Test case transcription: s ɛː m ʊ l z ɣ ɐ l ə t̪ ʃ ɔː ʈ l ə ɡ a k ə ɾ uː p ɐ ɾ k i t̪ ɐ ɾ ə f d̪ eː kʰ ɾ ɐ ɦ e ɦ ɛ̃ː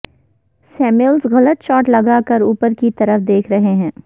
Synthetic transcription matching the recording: s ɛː m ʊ l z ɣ ɐ l ə t̪ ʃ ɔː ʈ l ɐ ɡ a k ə ɾ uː p ə ɾ k i t̪ ɐ ɾ ə f d̪ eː kʰ ɾ ɐ ɦ e ɦ ɛ̃ː